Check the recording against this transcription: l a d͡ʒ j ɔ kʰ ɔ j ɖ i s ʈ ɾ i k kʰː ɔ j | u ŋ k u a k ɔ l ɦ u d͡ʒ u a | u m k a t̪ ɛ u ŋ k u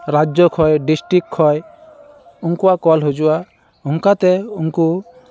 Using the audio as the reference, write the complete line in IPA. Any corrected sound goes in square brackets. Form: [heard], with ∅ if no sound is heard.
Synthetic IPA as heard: [ɾ] a d͡ʒ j ɔ kʰ ɔ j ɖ i s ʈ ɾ i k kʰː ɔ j | u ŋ k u a k ɔ l ɦ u d͡ʒ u a | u [ŋ] k a t̪ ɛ u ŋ k u